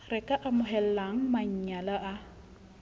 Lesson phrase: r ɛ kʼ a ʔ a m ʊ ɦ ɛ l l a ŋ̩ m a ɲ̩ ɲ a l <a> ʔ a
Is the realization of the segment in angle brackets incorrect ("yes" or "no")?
no